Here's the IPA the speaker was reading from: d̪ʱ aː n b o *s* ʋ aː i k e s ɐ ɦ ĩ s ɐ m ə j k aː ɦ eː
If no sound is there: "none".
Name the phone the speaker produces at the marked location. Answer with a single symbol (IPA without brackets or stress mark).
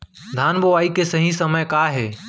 none